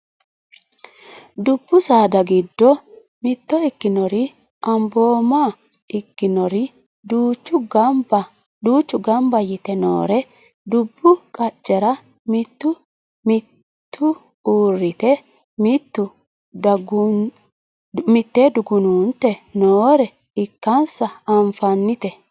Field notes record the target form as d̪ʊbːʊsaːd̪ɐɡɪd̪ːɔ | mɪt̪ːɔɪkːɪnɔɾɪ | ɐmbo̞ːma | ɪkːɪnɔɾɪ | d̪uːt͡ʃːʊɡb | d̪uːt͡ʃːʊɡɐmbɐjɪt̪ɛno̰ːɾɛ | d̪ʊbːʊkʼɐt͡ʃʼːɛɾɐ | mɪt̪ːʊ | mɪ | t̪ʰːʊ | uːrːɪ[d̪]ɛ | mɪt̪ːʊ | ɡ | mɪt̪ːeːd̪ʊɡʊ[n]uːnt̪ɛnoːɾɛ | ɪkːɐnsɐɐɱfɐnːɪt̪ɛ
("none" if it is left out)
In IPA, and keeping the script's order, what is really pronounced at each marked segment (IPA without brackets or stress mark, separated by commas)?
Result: t̪, n